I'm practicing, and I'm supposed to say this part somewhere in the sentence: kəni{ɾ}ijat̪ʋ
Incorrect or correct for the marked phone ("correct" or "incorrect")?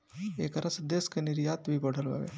correct